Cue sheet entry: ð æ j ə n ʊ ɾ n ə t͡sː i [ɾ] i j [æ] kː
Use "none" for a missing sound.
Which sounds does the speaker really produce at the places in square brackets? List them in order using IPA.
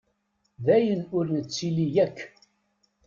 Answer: l, æ

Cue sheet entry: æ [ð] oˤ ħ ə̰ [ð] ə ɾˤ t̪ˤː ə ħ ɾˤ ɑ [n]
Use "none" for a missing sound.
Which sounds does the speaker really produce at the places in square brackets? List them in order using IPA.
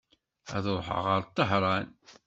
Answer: ð, ʁ, n

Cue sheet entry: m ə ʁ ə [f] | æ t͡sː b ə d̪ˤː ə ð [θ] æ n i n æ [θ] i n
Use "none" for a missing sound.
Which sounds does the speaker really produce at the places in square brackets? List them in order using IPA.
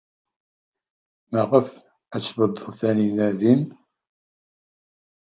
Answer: f, θ, ð

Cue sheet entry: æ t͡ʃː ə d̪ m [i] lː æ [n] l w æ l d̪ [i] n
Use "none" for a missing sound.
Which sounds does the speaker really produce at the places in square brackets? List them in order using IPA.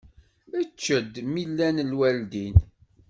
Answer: i, n, i

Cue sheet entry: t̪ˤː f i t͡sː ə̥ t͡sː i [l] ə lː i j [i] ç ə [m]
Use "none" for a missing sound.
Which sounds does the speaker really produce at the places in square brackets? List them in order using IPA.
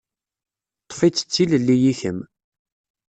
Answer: l, i, m

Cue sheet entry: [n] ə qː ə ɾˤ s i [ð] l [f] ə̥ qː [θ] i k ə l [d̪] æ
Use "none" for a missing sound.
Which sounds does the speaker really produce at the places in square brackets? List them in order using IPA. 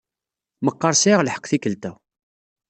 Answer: m, ʁ, ħ, θ, t̪

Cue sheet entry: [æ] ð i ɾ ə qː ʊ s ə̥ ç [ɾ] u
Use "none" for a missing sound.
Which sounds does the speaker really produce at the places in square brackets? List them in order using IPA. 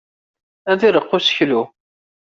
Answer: æ, l

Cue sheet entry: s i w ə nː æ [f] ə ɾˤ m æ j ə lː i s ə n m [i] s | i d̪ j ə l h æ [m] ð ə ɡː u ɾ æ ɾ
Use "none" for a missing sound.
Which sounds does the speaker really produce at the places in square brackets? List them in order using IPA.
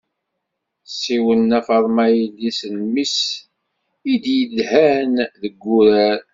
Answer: f, i, n

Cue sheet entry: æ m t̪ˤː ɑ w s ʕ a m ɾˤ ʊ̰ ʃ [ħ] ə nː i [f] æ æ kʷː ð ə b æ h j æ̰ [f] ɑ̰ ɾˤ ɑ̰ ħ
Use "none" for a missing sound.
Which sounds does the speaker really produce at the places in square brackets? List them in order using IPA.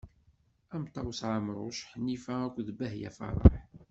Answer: ħ, f, f

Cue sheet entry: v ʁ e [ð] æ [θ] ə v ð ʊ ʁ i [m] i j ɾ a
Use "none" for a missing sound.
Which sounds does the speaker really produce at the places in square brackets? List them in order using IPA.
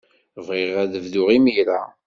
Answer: ʁ, ð, m

